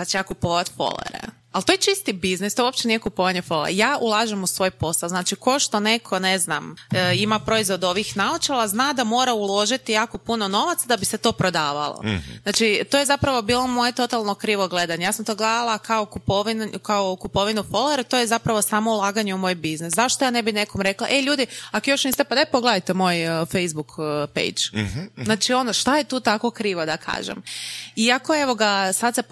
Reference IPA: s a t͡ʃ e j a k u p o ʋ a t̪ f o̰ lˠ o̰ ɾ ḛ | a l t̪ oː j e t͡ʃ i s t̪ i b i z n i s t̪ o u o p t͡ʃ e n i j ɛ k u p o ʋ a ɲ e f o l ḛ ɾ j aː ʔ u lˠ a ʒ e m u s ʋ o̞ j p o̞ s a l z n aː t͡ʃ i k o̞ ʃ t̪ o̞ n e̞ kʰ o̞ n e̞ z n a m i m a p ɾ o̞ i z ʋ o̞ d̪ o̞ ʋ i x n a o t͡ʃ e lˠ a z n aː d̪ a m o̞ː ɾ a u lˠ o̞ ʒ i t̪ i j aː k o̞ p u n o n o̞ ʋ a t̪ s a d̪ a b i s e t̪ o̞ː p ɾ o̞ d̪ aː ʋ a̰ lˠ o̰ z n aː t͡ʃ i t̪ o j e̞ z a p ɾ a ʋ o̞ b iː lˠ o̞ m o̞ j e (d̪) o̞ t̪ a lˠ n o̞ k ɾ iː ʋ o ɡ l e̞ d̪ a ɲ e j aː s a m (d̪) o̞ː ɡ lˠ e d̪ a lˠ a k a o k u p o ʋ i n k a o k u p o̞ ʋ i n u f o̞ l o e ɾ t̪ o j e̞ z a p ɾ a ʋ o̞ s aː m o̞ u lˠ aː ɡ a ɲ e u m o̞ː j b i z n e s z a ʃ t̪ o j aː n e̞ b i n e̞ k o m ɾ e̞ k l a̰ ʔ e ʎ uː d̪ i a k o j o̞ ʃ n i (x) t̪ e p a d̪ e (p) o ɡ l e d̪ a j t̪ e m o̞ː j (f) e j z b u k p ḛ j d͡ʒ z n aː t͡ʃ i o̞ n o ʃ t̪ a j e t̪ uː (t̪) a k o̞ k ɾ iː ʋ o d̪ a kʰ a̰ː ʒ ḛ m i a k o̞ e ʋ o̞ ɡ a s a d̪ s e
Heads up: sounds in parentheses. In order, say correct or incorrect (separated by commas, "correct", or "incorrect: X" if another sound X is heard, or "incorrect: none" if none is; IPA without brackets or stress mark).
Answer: incorrect: t̪, incorrect: t̪, incorrect: s, correct, correct, correct